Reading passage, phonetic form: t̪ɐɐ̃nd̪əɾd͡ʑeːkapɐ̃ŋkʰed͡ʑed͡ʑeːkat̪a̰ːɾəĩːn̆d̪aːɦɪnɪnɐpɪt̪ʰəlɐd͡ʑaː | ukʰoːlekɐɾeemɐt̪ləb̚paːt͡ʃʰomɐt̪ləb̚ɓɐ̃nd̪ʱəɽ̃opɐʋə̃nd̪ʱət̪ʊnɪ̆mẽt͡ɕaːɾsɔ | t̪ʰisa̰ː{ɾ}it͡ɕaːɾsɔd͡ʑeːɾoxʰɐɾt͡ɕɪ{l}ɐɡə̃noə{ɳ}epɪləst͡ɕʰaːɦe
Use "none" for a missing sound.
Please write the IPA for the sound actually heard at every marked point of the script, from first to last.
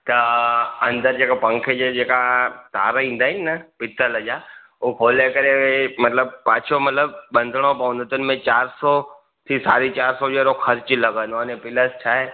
ɾ, l, n

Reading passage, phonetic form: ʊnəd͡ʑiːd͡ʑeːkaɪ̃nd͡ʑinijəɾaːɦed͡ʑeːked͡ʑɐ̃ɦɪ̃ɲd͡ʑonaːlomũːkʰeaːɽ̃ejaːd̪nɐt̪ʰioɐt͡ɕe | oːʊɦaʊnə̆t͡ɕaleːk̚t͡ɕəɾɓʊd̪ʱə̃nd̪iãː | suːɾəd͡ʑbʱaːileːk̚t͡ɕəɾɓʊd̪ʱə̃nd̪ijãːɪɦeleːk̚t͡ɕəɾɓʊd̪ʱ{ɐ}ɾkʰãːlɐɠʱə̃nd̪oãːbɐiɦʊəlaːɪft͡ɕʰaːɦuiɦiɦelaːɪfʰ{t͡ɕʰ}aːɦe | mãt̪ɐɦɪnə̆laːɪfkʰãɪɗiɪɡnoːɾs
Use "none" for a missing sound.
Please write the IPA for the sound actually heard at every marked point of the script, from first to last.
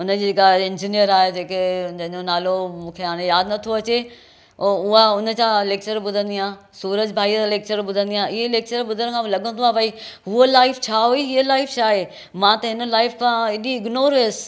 ə, t͡ɕʰ

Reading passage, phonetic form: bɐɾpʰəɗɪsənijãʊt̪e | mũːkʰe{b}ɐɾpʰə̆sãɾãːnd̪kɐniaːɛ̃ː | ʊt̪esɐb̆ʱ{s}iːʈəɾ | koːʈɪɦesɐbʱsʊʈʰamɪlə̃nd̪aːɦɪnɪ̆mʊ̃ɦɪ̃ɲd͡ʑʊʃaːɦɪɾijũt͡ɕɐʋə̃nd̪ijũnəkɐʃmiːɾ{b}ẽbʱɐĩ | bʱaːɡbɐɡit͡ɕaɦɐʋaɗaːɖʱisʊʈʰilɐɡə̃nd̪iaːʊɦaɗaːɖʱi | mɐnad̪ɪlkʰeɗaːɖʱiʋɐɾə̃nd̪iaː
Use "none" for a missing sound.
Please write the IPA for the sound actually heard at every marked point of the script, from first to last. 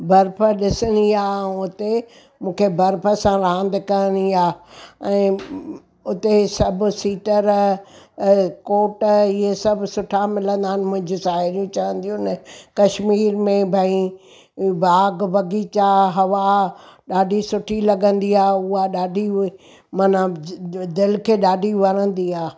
b, s, m

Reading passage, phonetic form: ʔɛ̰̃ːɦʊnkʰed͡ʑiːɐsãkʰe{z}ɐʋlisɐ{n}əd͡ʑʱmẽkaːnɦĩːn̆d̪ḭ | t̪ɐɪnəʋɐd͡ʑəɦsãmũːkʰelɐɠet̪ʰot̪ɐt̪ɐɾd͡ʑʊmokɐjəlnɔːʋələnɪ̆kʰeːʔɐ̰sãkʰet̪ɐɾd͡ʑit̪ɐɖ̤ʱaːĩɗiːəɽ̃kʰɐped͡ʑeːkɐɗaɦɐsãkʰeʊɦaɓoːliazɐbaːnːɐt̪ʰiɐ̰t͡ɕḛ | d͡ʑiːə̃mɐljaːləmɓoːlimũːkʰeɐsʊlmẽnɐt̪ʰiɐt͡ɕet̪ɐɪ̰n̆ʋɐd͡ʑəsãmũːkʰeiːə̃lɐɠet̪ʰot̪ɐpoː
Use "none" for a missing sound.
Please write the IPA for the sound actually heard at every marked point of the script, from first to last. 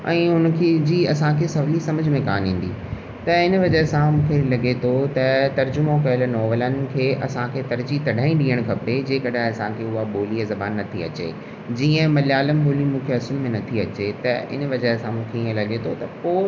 s, m

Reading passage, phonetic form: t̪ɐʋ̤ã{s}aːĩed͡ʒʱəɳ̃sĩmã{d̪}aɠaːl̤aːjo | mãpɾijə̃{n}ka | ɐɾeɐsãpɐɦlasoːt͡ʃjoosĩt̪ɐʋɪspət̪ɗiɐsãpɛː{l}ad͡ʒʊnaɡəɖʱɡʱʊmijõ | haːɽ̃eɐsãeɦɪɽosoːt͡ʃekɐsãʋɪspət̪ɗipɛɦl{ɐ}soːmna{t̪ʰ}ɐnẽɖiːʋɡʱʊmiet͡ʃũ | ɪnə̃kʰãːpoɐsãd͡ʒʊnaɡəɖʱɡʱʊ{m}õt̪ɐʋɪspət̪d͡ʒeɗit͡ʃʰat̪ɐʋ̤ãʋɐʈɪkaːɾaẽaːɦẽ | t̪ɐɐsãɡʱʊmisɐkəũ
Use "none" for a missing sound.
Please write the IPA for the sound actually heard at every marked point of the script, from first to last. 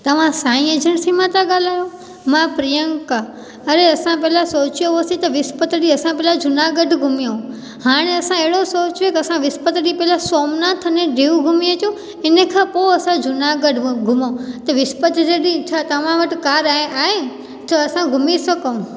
s, t̪, ŋ, l, a, t̪ʰ, m

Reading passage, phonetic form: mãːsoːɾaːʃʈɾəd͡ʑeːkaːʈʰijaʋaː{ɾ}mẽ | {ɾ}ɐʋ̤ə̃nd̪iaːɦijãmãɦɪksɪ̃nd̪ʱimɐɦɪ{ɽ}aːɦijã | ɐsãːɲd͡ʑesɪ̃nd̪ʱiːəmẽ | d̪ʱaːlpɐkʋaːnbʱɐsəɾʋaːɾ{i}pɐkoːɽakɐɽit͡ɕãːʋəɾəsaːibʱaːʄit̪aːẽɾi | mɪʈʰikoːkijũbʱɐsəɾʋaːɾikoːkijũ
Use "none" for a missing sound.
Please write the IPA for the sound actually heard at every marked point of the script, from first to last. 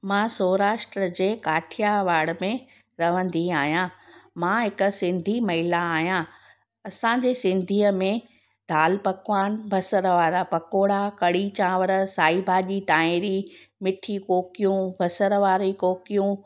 ɽ, ɾ, l, a

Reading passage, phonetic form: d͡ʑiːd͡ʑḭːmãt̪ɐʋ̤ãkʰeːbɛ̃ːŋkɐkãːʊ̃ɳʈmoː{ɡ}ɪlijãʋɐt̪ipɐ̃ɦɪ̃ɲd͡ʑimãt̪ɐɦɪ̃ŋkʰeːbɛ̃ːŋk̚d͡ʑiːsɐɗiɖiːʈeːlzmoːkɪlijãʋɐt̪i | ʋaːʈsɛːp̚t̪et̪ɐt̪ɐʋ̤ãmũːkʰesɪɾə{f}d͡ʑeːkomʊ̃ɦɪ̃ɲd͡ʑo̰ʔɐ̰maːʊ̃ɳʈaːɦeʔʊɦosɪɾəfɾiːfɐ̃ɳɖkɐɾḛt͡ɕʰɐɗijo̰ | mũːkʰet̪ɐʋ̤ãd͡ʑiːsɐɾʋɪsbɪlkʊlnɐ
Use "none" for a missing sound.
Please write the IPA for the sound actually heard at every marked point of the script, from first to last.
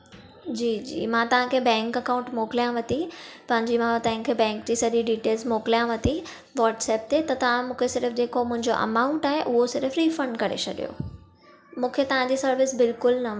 k, f

